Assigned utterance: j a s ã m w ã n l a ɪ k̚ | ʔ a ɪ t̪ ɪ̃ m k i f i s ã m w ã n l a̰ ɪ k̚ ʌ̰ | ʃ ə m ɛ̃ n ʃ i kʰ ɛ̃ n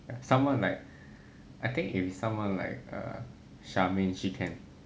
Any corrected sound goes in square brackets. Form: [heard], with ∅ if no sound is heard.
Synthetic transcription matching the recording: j a s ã m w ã n l a ɪ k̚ | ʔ a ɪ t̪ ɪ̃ [ŋ] k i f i s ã m w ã n l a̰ ɪ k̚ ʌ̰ | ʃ [a] m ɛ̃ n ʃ i kʰ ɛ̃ n